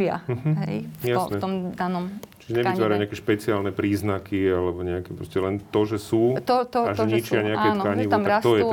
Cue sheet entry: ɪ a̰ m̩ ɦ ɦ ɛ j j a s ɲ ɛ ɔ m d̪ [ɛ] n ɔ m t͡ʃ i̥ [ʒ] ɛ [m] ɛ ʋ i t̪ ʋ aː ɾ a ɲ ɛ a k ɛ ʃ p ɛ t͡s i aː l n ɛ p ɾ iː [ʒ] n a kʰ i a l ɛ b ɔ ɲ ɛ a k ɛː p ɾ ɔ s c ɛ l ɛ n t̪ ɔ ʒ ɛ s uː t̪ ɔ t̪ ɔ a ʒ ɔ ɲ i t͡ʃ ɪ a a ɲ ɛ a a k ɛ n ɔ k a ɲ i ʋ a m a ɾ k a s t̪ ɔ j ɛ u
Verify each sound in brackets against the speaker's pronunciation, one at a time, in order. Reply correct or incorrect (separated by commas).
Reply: incorrect, correct, incorrect, incorrect